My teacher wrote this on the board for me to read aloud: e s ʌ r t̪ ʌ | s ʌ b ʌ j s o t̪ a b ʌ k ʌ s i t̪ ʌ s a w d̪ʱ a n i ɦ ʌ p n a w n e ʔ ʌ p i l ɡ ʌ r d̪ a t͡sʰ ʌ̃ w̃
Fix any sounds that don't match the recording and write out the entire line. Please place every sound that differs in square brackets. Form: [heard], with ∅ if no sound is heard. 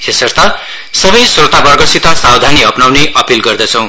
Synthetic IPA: e s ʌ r t̪ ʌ | s ʌ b ʌ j s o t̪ a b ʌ [ɡ] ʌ s i t̪ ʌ s a w d̪ʱ a n i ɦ ʌ p n a w n e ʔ ʌ p i l ɡ ʌ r d̪ [ʌ] t͡sʰ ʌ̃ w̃